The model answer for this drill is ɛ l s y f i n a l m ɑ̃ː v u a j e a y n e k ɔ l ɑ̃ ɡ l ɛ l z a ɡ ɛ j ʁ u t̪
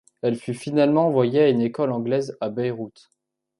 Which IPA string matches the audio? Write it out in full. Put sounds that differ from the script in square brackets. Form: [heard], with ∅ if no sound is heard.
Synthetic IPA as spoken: ɛ l [f] y f i n a l m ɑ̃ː v [w] a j e a y n e k ɔ l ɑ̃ ɡ l ɛ [∅] z a [b] ɛ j ʁ u t̪